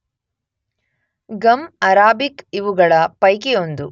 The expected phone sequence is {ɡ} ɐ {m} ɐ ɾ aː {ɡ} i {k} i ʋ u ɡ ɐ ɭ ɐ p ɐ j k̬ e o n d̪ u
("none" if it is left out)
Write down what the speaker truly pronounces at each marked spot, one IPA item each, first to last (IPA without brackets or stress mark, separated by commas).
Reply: ɡ, m, b, k